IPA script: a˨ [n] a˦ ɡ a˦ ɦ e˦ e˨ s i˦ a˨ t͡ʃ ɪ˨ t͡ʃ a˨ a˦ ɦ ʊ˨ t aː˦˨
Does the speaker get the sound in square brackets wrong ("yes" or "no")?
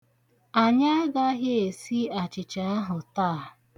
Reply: yes